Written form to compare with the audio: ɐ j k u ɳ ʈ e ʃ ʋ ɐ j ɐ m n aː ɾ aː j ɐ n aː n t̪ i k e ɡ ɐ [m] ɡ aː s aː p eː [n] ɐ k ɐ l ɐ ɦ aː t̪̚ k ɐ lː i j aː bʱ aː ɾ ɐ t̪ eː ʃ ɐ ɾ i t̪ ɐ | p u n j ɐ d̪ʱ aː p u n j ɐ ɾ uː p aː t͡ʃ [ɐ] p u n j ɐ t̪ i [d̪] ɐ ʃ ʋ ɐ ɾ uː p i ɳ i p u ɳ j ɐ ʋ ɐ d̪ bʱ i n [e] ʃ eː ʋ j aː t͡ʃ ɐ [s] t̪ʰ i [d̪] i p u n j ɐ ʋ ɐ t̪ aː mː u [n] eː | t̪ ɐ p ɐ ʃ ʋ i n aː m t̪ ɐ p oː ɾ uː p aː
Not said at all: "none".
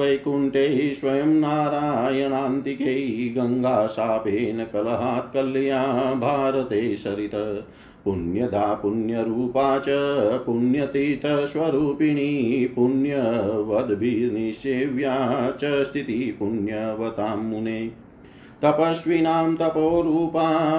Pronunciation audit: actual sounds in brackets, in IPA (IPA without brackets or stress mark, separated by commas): ŋ, n, ɐ, t̪, i, s, t̪, n